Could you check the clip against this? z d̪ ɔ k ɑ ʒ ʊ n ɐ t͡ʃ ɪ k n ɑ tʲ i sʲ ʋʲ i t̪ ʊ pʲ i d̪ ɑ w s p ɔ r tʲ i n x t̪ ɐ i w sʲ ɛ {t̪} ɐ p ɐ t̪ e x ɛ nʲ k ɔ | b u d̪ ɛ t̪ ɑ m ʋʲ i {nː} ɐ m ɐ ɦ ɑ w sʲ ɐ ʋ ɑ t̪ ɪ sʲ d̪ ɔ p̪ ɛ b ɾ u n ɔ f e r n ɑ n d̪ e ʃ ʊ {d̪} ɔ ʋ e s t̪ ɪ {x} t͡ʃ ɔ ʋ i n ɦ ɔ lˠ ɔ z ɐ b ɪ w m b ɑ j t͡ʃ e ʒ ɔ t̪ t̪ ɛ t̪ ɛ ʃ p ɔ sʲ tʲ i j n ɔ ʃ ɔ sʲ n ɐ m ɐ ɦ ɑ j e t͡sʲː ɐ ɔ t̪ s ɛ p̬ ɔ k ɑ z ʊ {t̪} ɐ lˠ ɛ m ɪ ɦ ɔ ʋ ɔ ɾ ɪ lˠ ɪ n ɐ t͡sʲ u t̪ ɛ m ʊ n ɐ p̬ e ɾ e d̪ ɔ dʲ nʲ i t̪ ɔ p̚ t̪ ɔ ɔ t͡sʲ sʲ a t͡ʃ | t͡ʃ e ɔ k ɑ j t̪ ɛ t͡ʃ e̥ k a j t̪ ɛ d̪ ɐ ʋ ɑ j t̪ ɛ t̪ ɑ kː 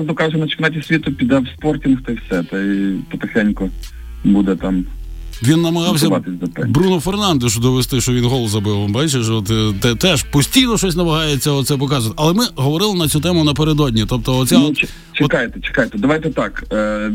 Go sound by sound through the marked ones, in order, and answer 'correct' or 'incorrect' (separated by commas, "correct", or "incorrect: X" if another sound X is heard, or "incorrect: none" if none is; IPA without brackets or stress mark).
correct, correct, correct, incorrect: ʃ, correct